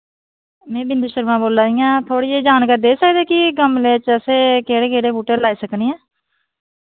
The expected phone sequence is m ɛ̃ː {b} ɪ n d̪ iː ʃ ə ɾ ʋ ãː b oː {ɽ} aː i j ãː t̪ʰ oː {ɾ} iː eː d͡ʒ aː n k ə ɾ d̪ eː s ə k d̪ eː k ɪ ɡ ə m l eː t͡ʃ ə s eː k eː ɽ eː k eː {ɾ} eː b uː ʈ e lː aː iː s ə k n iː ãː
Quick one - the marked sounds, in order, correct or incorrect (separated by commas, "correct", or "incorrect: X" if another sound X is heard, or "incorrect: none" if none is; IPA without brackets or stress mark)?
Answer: correct, incorrect: l, incorrect: ɽ, incorrect: ɽ